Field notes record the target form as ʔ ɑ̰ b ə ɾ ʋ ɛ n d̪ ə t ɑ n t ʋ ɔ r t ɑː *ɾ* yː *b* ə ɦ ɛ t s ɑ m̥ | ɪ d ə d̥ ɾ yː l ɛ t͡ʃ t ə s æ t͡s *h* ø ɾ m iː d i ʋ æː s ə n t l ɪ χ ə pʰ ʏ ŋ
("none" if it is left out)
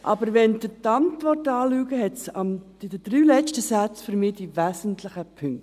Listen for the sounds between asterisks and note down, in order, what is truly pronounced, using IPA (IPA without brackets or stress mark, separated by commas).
l, ɡ, f